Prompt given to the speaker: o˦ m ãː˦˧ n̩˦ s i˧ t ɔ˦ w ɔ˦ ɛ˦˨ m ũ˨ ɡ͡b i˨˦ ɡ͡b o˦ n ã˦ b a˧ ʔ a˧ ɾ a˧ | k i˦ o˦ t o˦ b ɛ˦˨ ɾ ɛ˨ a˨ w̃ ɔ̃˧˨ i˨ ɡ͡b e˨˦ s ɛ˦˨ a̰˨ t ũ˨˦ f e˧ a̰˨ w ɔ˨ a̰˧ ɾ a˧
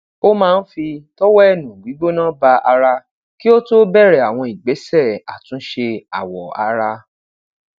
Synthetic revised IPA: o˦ m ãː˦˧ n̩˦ f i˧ t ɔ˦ w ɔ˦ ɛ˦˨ n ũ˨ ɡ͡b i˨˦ ɡ͡b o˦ n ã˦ b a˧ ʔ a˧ ɾ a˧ | k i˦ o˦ t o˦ b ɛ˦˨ ɾ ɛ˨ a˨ w̃ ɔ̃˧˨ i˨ ɡ͡b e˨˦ s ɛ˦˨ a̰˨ t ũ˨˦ ʃ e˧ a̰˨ w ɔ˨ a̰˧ ɾ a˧